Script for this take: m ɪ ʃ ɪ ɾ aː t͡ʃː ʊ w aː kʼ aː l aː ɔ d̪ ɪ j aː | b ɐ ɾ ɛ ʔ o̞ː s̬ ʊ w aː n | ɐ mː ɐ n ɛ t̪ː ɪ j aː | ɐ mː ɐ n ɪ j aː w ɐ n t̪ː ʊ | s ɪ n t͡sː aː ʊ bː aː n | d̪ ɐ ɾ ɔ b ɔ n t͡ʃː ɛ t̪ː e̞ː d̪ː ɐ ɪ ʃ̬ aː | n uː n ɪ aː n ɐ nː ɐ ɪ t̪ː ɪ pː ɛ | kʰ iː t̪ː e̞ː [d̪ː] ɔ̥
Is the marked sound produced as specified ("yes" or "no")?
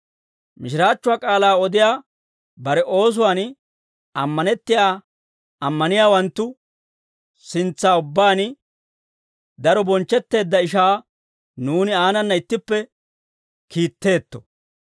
no